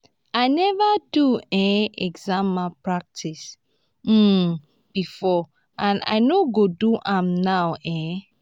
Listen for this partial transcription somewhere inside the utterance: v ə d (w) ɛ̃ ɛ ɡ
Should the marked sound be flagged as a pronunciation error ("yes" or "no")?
yes